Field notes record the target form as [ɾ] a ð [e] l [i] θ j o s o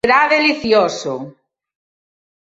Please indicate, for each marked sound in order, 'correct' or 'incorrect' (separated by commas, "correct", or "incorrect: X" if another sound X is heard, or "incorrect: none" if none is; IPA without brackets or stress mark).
correct, correct, correct